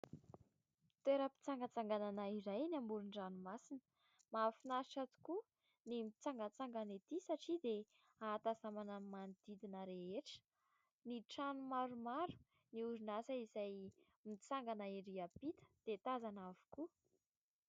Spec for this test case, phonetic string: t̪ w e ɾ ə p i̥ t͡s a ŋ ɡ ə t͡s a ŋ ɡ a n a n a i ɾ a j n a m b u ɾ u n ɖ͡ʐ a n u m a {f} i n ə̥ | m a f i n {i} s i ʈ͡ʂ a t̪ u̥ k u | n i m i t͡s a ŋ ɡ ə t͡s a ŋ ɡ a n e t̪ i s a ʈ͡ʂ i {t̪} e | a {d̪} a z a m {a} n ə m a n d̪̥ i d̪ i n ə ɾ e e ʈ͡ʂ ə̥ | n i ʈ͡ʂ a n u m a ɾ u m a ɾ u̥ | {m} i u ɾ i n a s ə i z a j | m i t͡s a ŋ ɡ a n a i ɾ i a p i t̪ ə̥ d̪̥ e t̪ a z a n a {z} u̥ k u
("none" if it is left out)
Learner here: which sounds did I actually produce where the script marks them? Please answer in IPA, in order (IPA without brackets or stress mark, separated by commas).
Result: s, a, d̪, t̪, a, n, v